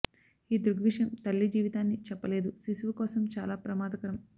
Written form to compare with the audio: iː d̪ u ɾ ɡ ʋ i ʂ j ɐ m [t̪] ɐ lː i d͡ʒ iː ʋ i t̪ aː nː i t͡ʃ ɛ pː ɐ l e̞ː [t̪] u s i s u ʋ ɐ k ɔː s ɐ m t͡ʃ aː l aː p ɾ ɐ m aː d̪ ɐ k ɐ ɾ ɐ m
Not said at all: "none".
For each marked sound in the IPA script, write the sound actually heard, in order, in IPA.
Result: t̪, d̪

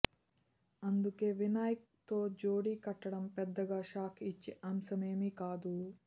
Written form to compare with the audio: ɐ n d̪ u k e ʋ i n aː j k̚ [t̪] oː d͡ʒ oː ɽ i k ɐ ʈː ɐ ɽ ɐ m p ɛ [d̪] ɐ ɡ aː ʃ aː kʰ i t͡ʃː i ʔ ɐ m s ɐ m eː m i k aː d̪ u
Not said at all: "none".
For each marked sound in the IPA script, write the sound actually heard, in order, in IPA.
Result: t̪, d̪ː

